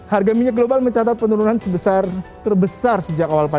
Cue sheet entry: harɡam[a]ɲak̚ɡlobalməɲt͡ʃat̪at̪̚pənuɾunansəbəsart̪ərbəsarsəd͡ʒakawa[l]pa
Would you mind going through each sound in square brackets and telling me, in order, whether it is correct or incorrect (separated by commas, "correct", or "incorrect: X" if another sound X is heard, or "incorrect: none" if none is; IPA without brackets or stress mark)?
incorrect: i, correct